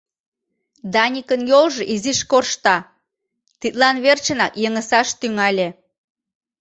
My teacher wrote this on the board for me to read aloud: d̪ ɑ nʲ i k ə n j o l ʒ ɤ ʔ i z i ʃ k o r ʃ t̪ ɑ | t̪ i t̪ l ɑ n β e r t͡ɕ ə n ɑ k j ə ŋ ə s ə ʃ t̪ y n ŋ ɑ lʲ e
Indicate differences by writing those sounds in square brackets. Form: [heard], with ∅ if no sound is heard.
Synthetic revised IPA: d̪ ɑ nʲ i k ə n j o l ʒ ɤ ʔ i z i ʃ k o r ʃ t̪ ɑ | t̪ i t̪ l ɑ n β e r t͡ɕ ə n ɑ k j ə ŋ ə s [ɑ] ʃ t̪ y [∅] ŋ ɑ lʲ e